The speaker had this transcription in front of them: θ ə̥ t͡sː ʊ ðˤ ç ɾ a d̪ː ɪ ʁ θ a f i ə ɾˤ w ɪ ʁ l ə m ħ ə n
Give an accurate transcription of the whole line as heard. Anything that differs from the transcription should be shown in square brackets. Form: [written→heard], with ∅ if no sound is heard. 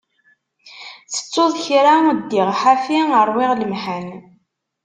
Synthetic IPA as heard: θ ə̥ t͡sː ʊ ðˤ ç ɾ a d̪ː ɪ ʁ [θ→ħ] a f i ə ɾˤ w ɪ ʁ l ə m ħ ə n